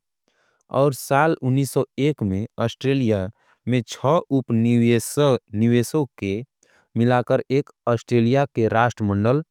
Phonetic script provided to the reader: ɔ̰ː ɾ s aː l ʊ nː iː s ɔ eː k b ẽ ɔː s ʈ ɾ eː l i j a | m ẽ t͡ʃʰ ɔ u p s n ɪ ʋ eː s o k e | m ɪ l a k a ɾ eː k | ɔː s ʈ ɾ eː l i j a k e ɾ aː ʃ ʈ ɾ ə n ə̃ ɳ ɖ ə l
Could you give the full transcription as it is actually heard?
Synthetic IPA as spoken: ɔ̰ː ɾ s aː l ʊ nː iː s ɔ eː k m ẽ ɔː s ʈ ɾ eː l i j a | m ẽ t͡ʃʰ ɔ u p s n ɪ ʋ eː s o k e | m ɪ l a k ə ɾ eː k | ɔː s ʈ ɾ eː l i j a k e ɾ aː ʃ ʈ ɾ ə m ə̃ ɳ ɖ ə l

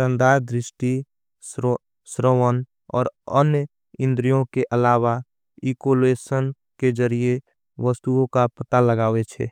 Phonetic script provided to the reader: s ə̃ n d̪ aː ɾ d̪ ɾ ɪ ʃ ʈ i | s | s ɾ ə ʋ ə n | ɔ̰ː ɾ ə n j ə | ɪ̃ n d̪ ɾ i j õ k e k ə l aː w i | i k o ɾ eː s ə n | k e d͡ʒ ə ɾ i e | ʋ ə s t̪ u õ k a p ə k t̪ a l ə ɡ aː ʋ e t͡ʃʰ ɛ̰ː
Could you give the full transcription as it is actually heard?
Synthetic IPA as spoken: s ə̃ n d̪ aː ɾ d̪ ɾ ɪ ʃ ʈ i | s | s ɾ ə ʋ ə n | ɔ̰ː ɾ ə n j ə | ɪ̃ n d̪ ɾ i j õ k e ʔ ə l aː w a | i k o l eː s ə n | k e d͡ʒ ə ɾ i e | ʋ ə s t̪ u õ k a p ə t̪ a l ə ɡ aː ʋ e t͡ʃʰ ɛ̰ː

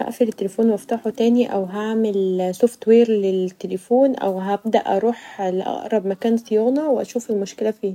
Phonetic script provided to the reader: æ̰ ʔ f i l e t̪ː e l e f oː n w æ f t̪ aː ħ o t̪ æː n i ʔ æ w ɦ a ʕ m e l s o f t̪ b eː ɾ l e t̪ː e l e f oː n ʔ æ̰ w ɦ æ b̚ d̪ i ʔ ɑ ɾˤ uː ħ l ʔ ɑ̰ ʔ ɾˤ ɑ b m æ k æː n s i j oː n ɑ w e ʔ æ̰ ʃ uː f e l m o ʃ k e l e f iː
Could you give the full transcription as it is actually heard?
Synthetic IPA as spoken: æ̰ ʔ f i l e t̪ː e l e f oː n w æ f t̪ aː ħ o t̪ æː n i ʔ æ w ɦ a ʕ m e l s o f t̪ w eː ɾ l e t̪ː e l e f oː n ʔ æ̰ w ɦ æ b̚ d̪ æ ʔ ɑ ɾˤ uː ħ l ʔ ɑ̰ ʔ ɾˤ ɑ b m æ k æː n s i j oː n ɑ w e ʔ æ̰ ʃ uː f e l m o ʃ k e l æ f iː

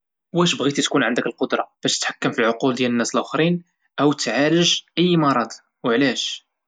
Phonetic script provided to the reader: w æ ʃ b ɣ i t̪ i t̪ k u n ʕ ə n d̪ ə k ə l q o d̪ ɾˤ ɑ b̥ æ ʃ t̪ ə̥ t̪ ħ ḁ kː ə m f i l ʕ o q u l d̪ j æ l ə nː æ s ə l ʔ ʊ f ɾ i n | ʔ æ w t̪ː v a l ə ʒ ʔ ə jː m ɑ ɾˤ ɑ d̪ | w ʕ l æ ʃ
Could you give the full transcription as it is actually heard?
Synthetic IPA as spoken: w æ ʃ b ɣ i t̪ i t̪ k u n ʕ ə n d̪ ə k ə l q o d̪ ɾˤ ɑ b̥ æ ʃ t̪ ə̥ t̪ ħ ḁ kː ə m f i l ʕ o q u l d̪ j æ l ə nː æ s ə l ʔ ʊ x ɾ i n | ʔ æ w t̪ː ʕ a l ə ʒ ʔ ə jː m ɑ ɾˤ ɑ d̪ | w ʕ l æ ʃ

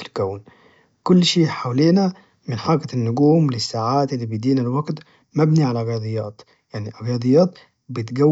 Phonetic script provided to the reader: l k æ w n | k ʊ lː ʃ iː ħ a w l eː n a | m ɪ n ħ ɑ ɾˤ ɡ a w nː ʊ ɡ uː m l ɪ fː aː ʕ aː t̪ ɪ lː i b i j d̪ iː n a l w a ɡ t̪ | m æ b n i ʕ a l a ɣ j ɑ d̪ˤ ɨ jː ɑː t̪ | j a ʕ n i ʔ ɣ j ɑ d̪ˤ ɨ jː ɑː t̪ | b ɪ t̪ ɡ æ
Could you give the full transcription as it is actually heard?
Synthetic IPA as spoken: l k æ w n | k ʊ lː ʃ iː ħ a w l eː n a | m ɪ n ħ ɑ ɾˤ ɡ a nː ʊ ɡ uː m l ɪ sː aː ʕ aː t̪ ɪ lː i b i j d̪ iː n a l w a ɡ t̪ | m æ b n i ʕ a l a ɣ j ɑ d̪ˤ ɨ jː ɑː t̪ | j a ʕ n i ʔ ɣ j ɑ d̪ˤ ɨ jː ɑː t̪ | b ɪ t̪ ɡ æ

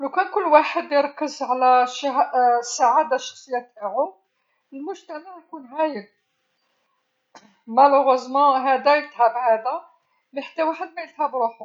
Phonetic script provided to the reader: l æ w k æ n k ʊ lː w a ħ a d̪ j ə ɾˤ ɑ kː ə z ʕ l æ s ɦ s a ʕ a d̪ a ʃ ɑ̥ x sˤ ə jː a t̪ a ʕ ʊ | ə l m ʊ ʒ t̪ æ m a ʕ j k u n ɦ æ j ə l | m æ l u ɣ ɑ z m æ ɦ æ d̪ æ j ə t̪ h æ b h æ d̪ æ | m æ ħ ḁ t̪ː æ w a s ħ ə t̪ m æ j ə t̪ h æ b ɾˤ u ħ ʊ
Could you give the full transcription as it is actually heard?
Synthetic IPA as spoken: l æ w k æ n k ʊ lː w a ħ ə d̪ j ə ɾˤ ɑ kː ə z ʕ l æ ʃ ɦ s a ʕ a d̪ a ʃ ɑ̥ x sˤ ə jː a t̪ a ʕ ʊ | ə l m ʊ ʒ t̪ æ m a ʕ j k u n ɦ æ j ə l | m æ l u ɣ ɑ z m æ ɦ æ d̪ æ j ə t̪ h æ b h æ d̪ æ | m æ ħ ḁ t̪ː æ w a ħ ə d̪ m æ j ə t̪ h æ b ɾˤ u ħ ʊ

